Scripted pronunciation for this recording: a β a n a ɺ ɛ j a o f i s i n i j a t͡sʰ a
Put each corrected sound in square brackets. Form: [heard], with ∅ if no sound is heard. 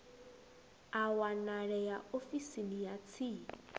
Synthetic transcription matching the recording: a [w] a n a ɺ ɛ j a o f i s i n i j a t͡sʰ [i]